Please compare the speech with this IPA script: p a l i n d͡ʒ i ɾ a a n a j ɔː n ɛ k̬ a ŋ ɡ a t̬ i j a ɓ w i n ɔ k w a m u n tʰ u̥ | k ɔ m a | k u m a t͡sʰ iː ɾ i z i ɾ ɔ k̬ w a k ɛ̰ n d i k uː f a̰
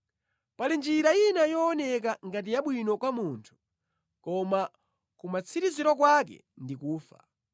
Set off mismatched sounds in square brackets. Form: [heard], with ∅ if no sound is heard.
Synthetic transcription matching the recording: p a l i n d͡ʒ i ɾ a [i] n a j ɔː n ɛ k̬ a ŋ ɡ a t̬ i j a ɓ w i n ɔ k w a m u n tʰ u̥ | k ɔ m a | k u m a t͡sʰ [i] ɾ i z i ɾ ɔ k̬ w a k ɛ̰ n d i k uː f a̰